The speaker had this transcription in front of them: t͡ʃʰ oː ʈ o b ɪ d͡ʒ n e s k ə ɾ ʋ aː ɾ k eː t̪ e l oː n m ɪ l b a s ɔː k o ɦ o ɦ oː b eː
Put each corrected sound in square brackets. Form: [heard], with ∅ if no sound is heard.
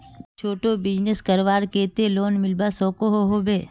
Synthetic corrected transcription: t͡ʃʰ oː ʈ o b ɪ d͡ʒ n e s k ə ɾ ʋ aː ɾ k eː t̪ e l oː n m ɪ l b a s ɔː k o ɦ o ɦ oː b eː